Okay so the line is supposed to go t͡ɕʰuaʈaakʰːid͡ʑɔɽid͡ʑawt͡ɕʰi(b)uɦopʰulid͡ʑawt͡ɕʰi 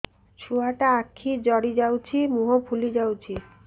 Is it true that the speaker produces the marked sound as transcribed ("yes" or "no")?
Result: no